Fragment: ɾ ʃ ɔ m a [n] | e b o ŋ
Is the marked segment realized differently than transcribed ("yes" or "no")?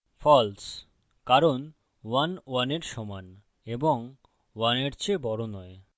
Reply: no